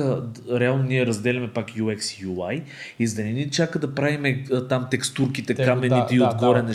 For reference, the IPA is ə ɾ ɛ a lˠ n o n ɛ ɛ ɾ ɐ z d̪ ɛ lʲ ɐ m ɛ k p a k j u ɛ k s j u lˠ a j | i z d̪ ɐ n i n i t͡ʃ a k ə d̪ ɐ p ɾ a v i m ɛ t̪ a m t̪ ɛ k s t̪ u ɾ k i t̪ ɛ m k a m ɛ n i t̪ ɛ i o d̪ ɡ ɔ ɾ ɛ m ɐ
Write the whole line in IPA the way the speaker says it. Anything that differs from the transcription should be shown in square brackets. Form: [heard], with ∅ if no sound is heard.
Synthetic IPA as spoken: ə ɾ ɛ a lˠ n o n [i] ɛ ɾ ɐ z d̪ ɛ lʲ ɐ m ɛ [∅] p a k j u ɛ k s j u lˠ a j | i z d̪ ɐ n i n i t͡ʃ a k ə d̪ ɐ p ɾ a v i m ɛ t̪ a m t̪ ɛ k s t̪ u ɾ k i t̪ ɛ [∅] k a m ɛ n i t̪ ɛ i o d̪ ɡ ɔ ɾ ɛ [n] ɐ